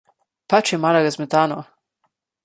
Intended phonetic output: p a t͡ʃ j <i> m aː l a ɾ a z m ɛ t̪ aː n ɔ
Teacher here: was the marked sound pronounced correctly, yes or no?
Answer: no